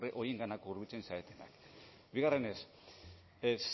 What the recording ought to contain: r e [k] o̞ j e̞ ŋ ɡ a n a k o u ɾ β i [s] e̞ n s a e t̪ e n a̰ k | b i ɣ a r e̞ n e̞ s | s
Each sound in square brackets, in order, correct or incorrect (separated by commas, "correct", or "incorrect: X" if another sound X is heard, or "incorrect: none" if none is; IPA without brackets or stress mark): incorrect: ʔ, incorrect: t͡s